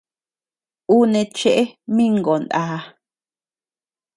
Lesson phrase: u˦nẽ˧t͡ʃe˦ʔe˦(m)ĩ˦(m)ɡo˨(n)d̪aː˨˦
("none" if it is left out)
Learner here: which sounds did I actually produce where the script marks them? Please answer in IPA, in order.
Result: m, ŋ, n

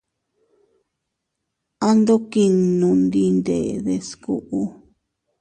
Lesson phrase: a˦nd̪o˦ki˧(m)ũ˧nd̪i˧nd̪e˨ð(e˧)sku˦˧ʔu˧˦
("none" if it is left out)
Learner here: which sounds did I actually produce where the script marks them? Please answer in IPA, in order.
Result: n, e˧

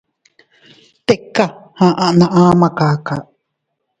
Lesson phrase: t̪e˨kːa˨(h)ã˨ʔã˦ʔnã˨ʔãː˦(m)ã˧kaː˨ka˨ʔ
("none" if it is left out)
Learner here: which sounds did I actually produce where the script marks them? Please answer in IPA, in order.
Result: h, m

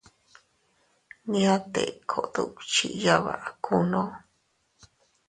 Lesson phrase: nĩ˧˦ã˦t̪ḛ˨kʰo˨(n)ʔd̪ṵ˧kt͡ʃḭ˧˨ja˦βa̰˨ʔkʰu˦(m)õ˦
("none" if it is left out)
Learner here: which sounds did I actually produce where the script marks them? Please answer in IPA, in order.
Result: none, n

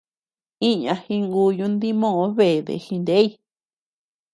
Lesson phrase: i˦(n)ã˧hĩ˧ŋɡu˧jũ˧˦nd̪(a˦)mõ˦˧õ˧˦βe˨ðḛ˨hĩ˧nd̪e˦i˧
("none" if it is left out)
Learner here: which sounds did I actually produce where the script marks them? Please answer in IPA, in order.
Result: ɲ, i˦

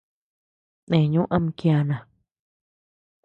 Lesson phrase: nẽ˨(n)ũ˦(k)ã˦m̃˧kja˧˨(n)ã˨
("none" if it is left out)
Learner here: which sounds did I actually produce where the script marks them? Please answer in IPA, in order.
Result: ɲ, ʔ, n

